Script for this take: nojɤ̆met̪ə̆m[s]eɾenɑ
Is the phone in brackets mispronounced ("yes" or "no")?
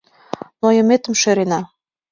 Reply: yes